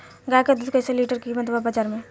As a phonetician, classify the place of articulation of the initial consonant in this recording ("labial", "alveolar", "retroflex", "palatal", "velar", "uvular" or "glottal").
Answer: velar